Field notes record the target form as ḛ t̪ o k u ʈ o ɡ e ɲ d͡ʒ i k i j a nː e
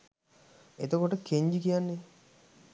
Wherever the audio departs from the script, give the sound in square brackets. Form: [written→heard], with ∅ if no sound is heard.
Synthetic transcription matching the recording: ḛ t̪ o k [u→o] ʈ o [ɡ→k] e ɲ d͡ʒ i k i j a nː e